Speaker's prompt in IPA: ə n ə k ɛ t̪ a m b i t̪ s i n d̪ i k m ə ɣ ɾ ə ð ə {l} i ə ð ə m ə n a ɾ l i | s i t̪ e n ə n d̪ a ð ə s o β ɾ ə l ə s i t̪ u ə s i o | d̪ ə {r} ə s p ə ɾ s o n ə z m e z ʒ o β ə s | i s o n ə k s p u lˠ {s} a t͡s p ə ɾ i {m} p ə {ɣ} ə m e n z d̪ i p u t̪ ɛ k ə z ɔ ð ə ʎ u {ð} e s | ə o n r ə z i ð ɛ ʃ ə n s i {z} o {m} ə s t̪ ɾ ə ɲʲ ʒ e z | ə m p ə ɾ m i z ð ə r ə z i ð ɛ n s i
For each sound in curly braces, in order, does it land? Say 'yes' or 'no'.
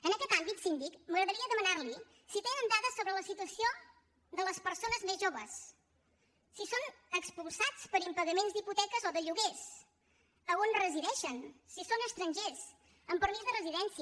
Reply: no, no, yes, yes, yes, no, no, no

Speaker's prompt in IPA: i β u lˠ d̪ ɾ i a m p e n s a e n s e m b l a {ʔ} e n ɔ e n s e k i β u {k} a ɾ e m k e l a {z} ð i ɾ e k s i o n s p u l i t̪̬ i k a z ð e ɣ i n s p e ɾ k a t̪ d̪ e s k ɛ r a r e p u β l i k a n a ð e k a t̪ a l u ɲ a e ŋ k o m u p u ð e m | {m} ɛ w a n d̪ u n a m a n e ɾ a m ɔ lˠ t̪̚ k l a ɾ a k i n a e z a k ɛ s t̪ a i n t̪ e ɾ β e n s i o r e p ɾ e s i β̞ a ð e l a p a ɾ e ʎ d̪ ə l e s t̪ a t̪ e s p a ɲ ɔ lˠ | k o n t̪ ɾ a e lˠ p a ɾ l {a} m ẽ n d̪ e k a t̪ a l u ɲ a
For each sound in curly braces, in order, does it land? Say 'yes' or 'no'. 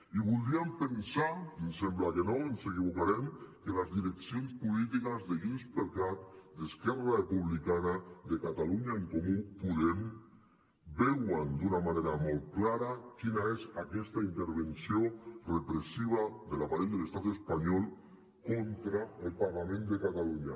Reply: no, yes, yes, no, yes

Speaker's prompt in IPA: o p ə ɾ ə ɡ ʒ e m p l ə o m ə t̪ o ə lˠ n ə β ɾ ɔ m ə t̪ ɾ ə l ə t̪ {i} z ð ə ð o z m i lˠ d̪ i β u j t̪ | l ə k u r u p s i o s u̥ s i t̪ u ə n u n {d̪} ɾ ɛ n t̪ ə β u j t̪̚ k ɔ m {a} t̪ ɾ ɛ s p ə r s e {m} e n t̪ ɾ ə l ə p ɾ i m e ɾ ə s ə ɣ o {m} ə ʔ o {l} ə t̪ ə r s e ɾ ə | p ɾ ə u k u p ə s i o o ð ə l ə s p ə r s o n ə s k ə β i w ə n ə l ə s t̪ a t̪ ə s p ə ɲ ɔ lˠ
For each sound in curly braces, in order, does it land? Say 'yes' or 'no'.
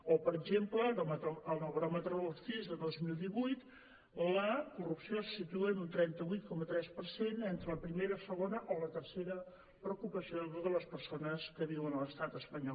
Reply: yes, no, no, no, no, yes

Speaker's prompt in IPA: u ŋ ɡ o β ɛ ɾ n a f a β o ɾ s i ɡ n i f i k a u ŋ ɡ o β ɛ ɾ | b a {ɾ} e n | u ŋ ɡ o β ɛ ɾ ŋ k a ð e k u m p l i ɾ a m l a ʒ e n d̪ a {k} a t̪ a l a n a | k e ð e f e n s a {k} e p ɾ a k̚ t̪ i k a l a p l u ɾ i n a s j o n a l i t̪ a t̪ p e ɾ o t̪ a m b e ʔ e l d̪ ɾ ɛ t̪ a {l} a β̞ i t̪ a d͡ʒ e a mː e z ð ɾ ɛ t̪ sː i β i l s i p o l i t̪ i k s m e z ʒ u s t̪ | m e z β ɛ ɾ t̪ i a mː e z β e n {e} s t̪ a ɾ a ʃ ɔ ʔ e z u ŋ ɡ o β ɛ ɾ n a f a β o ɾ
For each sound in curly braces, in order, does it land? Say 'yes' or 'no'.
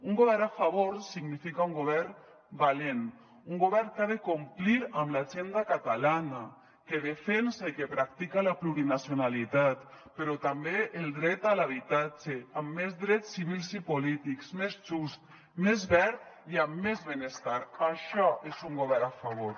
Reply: no, yes, yes, yes, yes

